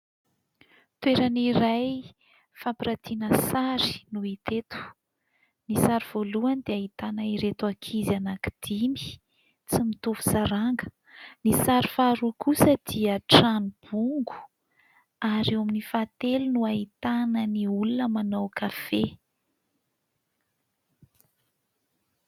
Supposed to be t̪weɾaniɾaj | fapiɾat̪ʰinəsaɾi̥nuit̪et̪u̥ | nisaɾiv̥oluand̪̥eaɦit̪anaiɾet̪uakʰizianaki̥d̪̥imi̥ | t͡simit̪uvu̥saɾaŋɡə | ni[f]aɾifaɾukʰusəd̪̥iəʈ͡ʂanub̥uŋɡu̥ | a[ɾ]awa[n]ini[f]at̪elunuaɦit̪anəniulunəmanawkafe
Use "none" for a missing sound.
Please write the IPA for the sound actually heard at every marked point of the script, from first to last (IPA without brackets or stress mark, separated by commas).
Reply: s, ɾ, m, f